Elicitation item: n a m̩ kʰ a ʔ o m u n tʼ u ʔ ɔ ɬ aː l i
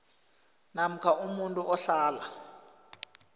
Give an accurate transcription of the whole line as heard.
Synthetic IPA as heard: n a m̩ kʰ a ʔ u m u n tʼ u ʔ ɔ ɬ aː l a